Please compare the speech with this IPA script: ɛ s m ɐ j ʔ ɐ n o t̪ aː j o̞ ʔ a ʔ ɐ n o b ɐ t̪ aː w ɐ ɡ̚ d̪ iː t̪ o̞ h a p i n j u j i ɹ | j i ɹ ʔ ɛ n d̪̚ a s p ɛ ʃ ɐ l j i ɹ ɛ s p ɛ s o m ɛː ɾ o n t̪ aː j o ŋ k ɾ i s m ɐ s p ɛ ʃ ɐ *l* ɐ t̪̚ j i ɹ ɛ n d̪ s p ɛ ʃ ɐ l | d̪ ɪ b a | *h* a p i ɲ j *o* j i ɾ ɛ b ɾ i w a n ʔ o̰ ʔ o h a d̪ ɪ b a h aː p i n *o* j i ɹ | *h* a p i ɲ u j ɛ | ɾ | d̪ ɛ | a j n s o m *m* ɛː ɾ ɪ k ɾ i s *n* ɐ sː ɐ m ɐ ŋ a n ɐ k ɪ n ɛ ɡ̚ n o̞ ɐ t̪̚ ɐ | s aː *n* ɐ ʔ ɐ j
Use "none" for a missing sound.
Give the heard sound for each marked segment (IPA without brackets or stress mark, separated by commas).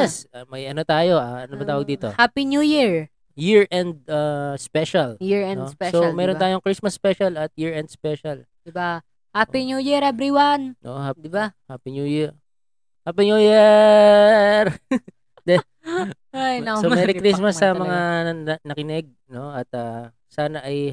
l, h, u, u, h, m, m, n